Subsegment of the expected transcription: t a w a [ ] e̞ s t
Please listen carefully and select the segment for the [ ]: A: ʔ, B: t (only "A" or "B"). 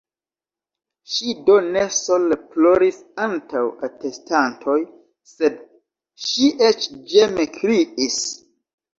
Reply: B